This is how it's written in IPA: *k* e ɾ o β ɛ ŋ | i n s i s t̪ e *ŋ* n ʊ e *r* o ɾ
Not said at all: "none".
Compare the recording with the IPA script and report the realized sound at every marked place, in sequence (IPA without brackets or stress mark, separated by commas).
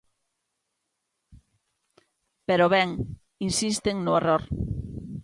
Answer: p, ŋ, r